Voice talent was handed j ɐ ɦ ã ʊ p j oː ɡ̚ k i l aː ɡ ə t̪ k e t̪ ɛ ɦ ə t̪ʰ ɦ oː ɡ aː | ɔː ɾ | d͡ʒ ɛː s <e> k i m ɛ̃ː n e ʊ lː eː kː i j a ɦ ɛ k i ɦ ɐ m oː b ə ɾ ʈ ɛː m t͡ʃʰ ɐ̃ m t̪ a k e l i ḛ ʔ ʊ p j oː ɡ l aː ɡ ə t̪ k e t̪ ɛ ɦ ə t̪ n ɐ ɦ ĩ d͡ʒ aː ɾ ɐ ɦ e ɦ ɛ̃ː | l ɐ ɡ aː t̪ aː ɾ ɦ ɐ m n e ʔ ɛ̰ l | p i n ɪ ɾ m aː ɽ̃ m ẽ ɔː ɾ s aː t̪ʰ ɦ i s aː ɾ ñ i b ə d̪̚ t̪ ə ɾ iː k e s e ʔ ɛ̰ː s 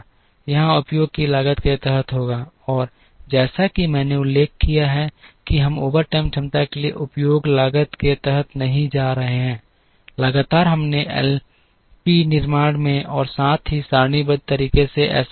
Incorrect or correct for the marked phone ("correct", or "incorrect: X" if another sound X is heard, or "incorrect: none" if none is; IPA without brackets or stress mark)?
incorrect: a